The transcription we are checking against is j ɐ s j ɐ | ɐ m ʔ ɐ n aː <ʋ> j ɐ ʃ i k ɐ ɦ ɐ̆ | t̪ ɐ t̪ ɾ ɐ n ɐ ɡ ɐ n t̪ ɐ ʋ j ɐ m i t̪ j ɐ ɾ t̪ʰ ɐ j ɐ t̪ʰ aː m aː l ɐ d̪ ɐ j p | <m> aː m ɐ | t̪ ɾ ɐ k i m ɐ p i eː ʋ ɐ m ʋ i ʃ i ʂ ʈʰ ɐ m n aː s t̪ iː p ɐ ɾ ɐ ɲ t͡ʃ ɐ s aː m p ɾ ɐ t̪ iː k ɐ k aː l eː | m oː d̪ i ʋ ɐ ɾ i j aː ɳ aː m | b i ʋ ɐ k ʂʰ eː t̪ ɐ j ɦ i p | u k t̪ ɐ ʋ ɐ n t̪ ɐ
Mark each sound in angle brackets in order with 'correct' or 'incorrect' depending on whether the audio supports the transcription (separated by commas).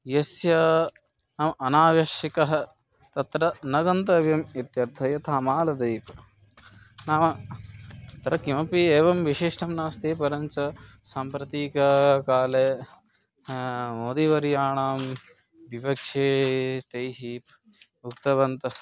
correct, incorrect